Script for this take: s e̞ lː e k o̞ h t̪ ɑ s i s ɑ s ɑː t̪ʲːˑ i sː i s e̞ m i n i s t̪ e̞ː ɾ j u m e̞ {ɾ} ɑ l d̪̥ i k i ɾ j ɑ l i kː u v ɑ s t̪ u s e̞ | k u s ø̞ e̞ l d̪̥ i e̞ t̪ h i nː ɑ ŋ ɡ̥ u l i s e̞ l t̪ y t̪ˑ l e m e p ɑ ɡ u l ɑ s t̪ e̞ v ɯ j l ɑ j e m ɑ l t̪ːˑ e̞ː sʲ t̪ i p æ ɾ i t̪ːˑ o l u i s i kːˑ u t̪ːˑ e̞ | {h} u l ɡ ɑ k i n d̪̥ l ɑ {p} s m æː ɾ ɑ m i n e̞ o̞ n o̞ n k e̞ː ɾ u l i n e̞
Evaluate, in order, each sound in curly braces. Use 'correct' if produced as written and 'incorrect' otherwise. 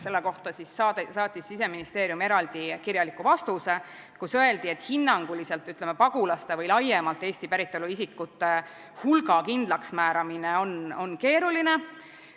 correct, correct, incorrect: k

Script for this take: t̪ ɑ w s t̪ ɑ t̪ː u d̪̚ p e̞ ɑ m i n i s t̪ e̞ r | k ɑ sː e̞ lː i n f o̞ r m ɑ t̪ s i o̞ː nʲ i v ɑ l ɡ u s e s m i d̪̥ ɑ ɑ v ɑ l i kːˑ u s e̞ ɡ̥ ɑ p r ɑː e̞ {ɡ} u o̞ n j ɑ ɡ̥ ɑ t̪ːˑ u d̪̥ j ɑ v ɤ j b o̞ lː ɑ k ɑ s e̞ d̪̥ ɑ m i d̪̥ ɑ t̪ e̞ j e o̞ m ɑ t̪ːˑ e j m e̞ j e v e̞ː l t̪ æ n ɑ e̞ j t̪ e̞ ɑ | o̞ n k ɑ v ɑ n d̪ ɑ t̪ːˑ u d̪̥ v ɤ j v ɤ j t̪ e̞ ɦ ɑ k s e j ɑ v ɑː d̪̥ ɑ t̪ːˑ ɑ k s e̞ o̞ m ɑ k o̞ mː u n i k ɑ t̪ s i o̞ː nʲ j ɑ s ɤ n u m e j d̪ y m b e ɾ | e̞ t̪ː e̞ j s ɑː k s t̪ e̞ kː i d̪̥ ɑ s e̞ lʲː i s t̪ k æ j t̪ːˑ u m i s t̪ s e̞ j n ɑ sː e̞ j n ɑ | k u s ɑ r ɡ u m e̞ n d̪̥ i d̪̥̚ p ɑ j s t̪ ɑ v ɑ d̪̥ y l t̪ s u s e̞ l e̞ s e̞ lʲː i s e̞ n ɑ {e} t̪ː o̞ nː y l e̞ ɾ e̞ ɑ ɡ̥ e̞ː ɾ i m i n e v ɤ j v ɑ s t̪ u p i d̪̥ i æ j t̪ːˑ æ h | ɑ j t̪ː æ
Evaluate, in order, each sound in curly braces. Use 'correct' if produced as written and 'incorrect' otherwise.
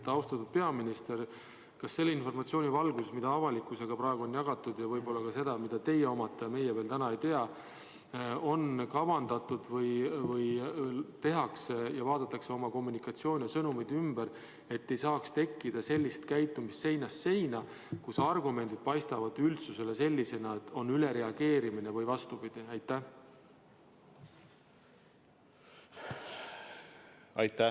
correct, correct

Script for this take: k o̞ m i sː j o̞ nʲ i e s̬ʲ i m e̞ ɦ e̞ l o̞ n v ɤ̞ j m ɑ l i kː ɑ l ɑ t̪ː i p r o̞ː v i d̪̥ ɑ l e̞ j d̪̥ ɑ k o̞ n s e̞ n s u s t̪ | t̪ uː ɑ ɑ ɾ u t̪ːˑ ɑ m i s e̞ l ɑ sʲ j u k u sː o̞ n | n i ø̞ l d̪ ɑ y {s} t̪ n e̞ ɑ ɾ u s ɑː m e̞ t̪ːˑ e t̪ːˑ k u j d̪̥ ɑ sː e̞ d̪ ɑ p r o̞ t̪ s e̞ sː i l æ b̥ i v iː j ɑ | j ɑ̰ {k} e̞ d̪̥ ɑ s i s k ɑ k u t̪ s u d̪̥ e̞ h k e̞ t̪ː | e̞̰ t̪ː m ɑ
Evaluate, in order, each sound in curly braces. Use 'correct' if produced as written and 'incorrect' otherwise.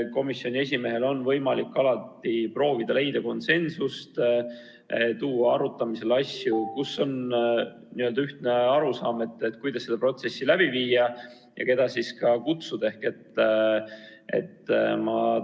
incorrect: h, correct

